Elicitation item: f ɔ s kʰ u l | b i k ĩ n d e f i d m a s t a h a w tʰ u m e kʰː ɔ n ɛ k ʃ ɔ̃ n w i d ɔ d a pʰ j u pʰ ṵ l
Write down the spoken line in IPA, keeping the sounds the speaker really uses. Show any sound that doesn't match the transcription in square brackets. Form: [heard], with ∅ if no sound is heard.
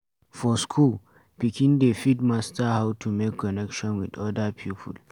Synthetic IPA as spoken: f ɔ s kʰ u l | [p] i k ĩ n d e f i d m a s t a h a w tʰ u m e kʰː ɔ n ɛ k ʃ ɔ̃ n w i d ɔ d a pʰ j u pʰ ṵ l